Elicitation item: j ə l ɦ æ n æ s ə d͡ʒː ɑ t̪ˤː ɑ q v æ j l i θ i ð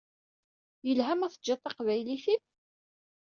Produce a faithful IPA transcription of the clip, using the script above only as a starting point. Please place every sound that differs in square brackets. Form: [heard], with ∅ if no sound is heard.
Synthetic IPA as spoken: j ə l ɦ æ [m] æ [θ] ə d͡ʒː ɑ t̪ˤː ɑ q v æ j l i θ i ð

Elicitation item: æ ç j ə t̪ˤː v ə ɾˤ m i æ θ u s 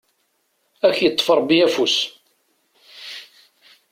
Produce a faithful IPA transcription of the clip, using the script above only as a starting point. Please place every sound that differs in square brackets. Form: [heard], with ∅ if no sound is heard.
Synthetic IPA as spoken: æ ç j ə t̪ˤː [f] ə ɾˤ [b] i æ [f] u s

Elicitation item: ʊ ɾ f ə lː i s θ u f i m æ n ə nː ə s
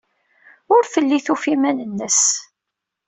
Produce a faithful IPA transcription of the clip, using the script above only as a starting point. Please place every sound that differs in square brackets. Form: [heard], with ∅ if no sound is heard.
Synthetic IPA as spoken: ʊ ɾ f ə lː i [∅] θ u f i m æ n ə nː ə s

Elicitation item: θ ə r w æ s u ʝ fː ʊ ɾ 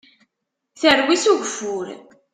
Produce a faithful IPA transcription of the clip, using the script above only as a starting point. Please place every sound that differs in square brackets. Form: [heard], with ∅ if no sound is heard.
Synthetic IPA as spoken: θ ə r w [i] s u ʝ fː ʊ ɾ

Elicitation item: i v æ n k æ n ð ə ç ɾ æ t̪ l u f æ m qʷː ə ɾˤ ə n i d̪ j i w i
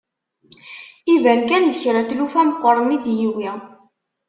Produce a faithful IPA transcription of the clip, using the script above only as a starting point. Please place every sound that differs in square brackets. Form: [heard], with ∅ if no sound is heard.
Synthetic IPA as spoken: i v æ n k æ n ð ə ç ɾ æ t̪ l u f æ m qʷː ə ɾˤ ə n i d̪ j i w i

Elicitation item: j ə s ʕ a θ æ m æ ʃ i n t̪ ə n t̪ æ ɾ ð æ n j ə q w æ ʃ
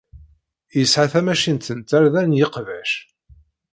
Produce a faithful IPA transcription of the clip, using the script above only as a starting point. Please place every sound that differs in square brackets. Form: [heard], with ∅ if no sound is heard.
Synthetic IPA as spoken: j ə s ʕ a θ æ m æ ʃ i n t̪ ə n t̪ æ ɾ ð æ n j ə q [v] æ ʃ

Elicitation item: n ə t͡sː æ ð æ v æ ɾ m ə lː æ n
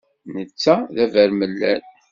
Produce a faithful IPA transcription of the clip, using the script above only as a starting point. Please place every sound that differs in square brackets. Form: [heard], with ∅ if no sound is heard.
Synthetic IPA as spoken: n ə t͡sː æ ð æ v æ ɾ m ə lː æ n

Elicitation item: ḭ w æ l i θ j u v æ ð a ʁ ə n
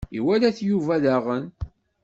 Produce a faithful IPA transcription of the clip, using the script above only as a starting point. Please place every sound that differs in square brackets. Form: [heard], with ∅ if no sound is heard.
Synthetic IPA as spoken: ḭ w æ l [æ] θ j u v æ ð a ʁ ə n

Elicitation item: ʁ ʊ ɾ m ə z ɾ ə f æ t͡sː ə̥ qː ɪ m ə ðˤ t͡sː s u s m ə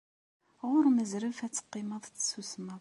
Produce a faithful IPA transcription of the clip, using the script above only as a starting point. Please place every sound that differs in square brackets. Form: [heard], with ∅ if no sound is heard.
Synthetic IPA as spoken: ʁ ʊ ɾ m ə z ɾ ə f æ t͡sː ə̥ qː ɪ m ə ðˤ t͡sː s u s m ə

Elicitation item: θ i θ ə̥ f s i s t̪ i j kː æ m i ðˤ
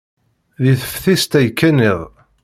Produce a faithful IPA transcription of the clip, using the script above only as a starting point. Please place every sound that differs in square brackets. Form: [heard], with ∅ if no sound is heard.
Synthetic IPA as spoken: [ð] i θ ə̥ f [θ] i s t̪ [æ] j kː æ [n] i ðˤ

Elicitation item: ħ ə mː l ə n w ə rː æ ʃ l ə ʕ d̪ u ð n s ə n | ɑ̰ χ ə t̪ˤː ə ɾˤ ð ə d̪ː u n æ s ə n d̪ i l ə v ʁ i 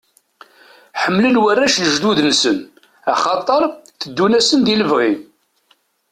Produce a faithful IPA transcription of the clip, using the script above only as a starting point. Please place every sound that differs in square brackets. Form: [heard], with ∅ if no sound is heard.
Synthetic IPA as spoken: ħ ə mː l ə n w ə rː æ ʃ l ə [ʒ] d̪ u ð n s ə n | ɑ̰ χ [ɑ] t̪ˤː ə ɾˤ [θ] ə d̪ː u n æ s ə n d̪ i l ə v ʁ i

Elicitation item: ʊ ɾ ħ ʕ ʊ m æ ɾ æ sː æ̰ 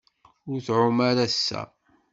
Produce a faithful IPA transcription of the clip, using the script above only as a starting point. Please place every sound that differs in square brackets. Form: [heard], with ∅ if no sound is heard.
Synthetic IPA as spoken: ʊ ɾ [θ] ʕ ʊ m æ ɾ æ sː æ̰

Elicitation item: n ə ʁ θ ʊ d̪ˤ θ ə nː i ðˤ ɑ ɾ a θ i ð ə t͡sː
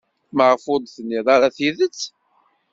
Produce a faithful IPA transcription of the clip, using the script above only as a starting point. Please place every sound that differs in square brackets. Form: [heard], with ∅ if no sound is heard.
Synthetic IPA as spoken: [m] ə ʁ [f] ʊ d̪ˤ θ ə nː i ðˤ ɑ ɾ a θ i ð ə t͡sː

